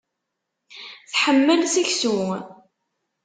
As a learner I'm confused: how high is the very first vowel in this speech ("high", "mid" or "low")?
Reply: mid